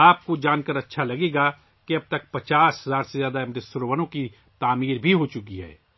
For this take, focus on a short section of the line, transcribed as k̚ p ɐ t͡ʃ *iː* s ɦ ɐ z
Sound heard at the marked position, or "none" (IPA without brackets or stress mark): aː